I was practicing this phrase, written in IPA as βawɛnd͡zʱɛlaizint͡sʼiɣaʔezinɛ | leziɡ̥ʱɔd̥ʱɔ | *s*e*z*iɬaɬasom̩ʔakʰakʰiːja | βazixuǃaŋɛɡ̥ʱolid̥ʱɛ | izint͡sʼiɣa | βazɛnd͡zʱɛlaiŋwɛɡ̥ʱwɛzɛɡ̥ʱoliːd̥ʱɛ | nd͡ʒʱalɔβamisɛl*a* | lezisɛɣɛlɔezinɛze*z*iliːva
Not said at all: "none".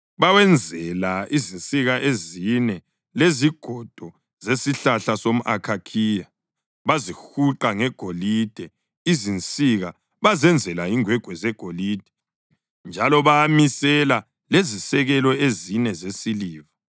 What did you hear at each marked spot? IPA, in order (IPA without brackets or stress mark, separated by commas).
z, s, a, s